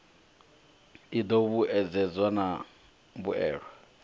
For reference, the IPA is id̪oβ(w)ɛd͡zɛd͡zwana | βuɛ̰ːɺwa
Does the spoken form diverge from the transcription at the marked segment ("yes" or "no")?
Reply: yes